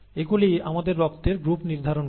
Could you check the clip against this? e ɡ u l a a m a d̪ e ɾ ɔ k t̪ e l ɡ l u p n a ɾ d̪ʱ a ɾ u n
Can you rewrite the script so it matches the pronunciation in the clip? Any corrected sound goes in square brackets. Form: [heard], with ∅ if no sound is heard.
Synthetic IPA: e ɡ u l [i] a m a d̪ e [ɾː] ɔ k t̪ e [ɾ] ɡ [ɾ] u p n [i] ɾ d̪ʱ a ɾ [o] n